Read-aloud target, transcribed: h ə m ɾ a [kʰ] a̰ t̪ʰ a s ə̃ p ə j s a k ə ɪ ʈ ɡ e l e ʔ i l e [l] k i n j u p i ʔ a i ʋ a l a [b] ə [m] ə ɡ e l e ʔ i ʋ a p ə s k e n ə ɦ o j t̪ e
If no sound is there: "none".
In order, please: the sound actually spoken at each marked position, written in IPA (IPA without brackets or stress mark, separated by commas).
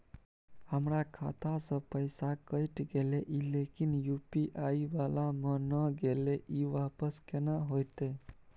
kʰ, none, m, n